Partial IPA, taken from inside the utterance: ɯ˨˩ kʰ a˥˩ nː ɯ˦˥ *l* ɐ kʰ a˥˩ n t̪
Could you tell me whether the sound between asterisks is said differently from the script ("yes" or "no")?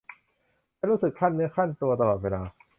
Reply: yes